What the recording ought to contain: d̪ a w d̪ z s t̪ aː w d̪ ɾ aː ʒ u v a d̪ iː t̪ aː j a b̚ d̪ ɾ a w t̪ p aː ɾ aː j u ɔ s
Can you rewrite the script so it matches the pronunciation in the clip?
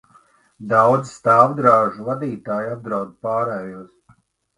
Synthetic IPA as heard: d̪ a w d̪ z s t̪ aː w d̪ ɾ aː ʒ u v a d̪ iː t̪ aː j a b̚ d̪ ɾ a w d̪ p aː ɾ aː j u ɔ s